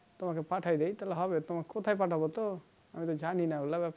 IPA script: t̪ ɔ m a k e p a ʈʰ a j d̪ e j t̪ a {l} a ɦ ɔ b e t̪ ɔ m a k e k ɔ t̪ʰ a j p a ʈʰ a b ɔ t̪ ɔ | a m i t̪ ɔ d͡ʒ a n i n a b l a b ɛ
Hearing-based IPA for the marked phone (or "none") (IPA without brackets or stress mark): l